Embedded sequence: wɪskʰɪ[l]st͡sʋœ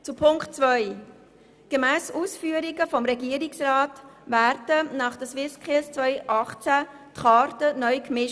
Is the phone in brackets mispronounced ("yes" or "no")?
no